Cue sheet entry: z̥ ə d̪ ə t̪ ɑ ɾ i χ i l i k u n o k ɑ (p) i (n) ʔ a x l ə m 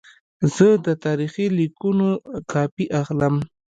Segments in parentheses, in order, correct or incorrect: correct, incorrect

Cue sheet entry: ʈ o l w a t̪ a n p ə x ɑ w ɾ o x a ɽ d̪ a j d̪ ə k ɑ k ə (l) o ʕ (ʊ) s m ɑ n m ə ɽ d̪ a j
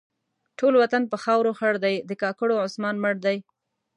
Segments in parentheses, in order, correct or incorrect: incorrect, correct

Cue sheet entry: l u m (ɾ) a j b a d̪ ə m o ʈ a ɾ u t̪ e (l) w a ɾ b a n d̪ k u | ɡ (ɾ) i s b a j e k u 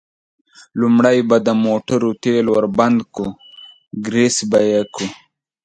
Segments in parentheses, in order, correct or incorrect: incorrect, correct, correct

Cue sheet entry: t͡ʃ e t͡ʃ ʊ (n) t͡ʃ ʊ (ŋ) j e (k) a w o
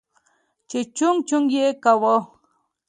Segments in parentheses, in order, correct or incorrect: incorrect, correct, correct

